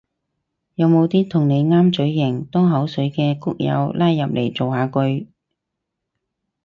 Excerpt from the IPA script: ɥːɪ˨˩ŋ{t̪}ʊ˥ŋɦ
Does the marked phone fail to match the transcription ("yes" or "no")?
no